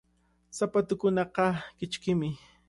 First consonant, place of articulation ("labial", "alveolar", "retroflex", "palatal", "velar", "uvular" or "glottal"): alveolar